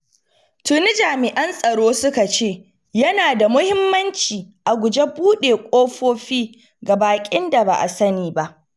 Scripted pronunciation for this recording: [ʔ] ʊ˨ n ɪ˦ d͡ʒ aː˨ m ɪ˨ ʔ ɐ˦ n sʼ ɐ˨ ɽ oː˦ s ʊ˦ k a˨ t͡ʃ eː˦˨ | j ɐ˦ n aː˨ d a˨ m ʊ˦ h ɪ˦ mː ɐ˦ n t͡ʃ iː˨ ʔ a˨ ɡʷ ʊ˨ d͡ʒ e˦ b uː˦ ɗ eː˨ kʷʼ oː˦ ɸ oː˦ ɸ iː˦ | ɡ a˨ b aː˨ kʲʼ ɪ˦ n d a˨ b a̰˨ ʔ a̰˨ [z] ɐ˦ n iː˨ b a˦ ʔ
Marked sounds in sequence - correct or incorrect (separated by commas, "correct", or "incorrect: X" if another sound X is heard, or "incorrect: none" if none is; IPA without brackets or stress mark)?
incorrect: t, incorrect: s